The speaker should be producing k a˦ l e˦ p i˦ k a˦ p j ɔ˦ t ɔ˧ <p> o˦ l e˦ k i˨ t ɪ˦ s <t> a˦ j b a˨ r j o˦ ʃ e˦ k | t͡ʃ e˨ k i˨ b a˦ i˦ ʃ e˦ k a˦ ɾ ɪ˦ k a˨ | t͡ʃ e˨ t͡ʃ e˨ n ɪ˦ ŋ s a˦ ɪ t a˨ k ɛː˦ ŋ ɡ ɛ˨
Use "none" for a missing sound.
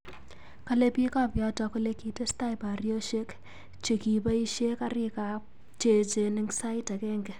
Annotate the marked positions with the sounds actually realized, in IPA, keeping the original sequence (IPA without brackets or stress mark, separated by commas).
k, t